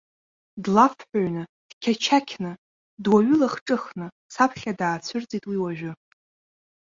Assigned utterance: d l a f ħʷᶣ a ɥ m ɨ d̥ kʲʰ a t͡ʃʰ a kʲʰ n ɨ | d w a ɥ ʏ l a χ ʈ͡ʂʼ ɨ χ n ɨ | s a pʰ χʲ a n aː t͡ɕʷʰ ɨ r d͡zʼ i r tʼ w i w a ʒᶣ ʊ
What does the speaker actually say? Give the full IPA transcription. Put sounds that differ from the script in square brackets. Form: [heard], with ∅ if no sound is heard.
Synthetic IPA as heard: d l a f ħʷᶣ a ɥ [n] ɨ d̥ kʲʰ a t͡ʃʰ a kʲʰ n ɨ | d w a ɥ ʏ l a χ ʈ͡ʂʼ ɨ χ n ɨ | s a pʰ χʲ a [d] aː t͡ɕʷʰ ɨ r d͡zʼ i [∅] tʼ w i w a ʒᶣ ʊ

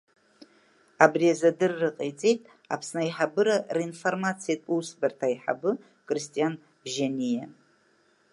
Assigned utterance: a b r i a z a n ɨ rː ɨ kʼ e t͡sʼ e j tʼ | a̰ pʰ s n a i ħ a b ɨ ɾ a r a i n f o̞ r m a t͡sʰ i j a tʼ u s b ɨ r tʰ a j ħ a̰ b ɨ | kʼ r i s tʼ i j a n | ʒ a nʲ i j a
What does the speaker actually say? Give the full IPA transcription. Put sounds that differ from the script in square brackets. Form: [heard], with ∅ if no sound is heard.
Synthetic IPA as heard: a b r i a z a [d] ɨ rː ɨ [qʼ] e t͡sʼ e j tʼ | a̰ pʰ s n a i ħ a b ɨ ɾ a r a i n f o̞ r m a t͡sʰ i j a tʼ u s b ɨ r tʰ a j ħ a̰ b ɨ | kʼ r i s tʼ i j a n | ʒ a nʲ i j a

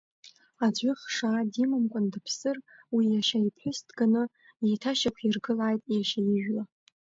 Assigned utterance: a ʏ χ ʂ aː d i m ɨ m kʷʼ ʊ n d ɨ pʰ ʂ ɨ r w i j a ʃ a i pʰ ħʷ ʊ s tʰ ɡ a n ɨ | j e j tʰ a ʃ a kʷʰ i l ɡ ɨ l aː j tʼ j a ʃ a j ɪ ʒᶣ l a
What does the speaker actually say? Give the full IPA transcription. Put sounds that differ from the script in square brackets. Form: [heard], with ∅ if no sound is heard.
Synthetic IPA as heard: a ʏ χ ʂ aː d i m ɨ m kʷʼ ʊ n d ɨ pʰ [s] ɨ r w i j a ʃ a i pʰ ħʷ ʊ s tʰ ɡ a n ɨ | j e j tʰ a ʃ a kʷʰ i [r] ɡ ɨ l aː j tʼ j a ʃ a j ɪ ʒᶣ l a

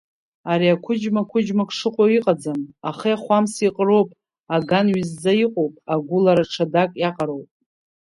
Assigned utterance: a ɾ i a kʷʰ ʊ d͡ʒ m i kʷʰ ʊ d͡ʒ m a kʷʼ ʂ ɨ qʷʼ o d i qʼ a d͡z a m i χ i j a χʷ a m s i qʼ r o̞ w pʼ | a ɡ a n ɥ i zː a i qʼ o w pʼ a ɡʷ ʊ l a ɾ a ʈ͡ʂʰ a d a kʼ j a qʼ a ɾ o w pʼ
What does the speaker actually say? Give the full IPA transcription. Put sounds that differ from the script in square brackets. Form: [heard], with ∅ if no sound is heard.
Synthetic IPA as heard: a ɾ i a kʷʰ ʊ d͡ʒ m [a] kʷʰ ʊ d͡ʒ m a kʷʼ ʂ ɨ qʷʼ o [∅] i qʼ a d͡z a m [a] χ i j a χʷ a m s i qʼ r o̞ w pʼ | a ɡ a n ɥ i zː a i qʼ o w pʼ a ɡʷ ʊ l a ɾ a ʈ͡ʂʰ a d a kʼ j a qʼ a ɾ o w pʼ

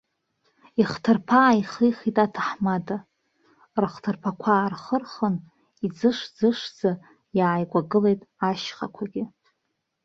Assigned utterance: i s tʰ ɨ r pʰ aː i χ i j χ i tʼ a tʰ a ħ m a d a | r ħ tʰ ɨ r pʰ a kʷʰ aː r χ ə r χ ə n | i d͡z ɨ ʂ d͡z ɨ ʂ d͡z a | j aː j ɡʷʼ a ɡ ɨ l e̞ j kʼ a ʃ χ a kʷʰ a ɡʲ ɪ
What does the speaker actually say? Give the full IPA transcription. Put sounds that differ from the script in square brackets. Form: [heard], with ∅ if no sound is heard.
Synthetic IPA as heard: i [χ] tʰ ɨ r pʰ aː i χ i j χ i tʼ a tʰ a ħ m a d a | r [χ] tʰ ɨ r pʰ a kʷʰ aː r χ ə r χ ə n | i d͡z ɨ ʂ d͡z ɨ ʂ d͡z a | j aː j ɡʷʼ a ɡ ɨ l e̞ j [tʼ] a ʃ χ a kʷʰ a ɡʲ ɪ

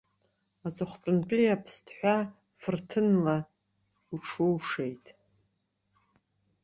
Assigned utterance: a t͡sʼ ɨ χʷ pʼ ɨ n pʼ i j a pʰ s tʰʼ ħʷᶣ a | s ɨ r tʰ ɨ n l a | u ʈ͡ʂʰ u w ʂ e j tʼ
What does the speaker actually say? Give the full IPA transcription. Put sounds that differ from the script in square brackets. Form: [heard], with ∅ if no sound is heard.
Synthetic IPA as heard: a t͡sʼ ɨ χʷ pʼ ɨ n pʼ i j a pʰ s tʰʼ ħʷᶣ a | [f] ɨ r tʰ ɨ n l a | u ʈ͡ʂʰ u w ʂ e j tʼ

